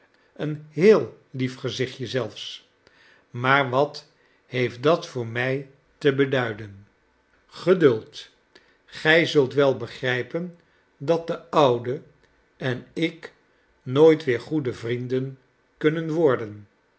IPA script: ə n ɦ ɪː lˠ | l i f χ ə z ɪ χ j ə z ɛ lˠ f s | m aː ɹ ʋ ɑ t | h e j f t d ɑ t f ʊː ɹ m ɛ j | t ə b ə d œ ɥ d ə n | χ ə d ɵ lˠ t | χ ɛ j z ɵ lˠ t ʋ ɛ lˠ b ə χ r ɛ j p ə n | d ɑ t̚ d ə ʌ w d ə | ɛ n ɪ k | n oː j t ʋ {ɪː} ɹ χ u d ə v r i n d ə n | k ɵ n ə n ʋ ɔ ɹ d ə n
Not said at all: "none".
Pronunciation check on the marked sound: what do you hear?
ɪː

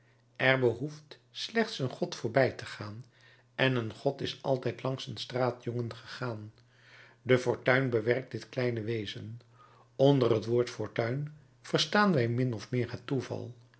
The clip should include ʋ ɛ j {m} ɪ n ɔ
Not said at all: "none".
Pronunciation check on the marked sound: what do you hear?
m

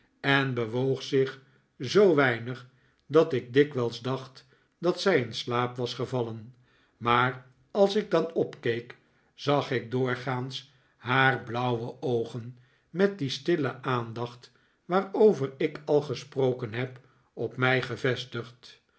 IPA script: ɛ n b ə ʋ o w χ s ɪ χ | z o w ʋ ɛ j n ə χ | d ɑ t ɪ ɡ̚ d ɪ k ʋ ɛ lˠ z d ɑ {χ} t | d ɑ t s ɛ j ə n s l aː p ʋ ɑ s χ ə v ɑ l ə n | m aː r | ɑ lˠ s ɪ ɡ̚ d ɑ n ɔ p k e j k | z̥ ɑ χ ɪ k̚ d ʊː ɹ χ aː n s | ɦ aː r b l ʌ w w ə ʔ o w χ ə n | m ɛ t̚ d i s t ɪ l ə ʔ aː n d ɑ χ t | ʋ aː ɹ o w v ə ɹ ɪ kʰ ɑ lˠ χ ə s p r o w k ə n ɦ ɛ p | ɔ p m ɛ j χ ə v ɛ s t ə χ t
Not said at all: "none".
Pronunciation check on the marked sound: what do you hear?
χ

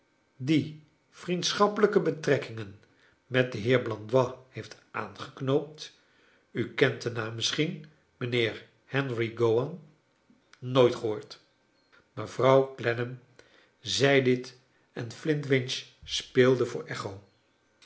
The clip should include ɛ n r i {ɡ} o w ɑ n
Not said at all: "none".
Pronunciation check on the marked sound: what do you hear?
ɡ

